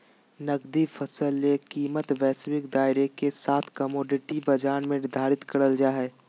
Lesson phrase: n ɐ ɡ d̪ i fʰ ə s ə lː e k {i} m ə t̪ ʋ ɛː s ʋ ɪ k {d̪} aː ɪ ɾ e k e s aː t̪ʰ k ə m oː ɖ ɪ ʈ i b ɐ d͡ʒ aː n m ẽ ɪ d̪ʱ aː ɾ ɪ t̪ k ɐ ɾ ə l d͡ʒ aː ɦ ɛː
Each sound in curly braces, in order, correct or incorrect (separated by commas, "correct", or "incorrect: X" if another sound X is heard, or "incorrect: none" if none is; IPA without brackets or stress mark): incorrect: iː, correct